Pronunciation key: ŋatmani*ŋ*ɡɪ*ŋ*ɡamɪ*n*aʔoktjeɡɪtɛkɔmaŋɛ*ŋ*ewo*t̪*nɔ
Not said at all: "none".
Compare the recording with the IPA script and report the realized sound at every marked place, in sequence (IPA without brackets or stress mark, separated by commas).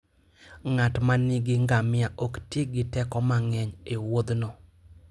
none, ŋ, none, ɲ, d̪